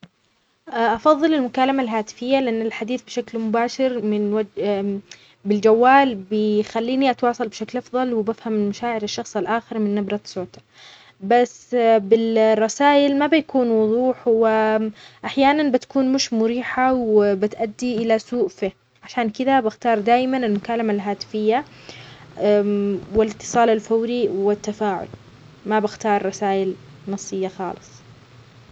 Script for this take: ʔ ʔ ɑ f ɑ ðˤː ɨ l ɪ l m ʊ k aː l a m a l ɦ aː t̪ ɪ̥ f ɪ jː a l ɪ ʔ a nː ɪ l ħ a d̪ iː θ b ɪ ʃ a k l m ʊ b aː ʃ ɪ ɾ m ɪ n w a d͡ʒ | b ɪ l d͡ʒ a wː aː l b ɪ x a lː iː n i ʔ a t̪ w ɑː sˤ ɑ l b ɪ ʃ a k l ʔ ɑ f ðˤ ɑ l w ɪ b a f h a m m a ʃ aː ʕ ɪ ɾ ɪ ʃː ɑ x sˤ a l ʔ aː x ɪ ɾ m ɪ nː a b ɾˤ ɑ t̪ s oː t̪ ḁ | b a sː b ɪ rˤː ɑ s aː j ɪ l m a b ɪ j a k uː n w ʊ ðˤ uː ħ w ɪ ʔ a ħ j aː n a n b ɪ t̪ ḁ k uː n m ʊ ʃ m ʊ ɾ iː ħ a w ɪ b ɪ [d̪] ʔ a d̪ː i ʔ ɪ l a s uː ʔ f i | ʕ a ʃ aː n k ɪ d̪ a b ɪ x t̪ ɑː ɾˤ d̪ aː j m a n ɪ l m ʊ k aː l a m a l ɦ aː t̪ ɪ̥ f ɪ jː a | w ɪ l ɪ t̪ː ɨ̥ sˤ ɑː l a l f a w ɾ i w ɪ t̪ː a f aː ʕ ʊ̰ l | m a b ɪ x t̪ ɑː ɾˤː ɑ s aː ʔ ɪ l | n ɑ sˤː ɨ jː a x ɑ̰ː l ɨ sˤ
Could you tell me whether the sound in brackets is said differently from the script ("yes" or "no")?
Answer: yes